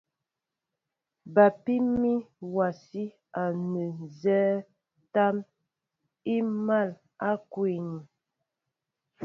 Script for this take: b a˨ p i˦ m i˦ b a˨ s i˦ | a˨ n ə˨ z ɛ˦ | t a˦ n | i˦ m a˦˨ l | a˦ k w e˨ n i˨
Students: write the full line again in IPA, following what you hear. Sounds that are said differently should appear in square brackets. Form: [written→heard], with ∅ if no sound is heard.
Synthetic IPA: b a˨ p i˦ m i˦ [b→w] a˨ s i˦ | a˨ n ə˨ z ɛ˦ | t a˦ [n→m] | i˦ m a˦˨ l | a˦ k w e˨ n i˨